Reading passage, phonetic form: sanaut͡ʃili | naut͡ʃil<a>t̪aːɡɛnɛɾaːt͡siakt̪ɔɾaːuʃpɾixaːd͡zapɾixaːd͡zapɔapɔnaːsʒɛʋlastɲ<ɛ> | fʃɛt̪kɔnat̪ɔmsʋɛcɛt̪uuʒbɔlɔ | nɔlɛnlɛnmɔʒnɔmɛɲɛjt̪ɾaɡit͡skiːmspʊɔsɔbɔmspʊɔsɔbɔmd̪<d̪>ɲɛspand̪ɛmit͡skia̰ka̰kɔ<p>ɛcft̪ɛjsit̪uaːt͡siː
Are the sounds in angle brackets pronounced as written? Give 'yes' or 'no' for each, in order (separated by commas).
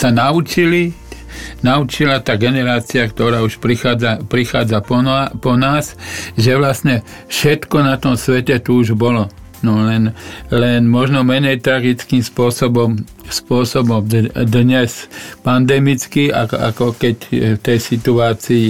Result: yes, yes, yes, no